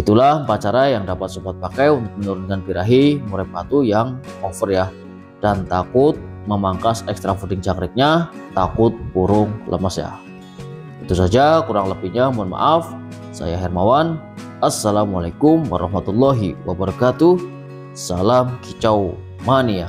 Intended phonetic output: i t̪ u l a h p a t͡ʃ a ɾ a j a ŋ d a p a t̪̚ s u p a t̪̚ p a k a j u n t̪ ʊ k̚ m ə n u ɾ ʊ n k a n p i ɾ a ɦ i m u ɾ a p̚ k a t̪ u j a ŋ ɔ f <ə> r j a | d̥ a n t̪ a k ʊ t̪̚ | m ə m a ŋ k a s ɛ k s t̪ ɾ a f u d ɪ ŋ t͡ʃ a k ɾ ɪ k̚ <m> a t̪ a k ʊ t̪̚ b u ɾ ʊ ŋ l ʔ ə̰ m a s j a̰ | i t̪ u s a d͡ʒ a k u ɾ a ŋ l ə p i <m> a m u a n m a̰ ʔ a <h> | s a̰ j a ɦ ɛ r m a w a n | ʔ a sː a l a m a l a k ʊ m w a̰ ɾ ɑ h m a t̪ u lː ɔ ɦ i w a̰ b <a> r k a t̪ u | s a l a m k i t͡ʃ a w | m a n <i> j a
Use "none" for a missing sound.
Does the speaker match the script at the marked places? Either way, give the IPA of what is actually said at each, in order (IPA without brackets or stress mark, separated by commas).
ə, ɲ, ɲ, f, ə, i